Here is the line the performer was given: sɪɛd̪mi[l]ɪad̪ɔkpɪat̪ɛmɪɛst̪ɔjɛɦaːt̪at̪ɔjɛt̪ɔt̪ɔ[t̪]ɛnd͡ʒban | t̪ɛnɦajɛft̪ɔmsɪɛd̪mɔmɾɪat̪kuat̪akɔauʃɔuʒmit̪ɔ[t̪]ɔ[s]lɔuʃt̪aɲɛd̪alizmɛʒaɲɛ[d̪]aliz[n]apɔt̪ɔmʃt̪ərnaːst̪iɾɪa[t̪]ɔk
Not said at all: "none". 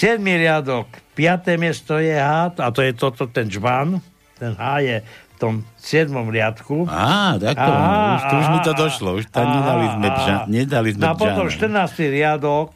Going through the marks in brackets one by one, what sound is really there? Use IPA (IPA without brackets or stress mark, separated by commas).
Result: ɾ, t̪, d̪, ʃ, d̪, m, d̪